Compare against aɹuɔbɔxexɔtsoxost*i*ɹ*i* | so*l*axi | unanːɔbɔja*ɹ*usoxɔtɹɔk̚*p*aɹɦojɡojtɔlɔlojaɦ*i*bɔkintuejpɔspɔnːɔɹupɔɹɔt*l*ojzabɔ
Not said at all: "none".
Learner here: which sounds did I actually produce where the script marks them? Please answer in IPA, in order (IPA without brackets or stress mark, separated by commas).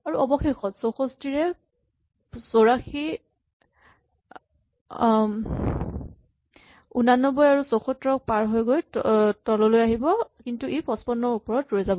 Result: i, ɛ, ɹ, ɹ, p, i, ɹ